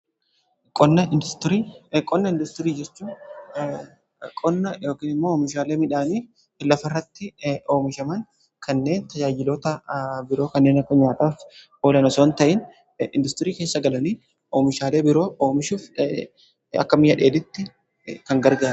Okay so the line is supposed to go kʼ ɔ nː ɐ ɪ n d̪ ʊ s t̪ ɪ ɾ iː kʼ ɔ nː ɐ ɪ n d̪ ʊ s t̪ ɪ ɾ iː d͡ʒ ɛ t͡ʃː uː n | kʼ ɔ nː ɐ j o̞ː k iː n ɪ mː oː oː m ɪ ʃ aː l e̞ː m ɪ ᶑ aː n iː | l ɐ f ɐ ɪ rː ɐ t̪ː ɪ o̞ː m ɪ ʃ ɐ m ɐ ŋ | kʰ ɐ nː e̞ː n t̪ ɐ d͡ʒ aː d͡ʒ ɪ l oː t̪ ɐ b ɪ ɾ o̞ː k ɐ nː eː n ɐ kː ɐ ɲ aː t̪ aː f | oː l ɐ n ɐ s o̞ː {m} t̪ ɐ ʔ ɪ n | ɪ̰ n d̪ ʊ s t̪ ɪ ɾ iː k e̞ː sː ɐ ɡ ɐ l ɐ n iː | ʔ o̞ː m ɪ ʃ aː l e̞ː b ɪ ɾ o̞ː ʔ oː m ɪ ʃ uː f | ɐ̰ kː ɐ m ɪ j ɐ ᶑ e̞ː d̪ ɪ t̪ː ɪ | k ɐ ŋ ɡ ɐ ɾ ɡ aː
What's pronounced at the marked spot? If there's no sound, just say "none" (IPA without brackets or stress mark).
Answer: n